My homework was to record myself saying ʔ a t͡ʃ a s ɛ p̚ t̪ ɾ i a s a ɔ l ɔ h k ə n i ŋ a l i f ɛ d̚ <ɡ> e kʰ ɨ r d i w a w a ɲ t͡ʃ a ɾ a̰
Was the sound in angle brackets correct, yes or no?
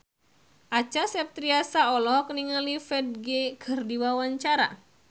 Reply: yes